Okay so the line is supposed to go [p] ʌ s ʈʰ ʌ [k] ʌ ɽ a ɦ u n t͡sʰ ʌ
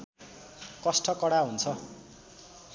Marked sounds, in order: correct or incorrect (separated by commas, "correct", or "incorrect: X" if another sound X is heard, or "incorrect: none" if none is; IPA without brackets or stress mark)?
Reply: incorrect: k, correct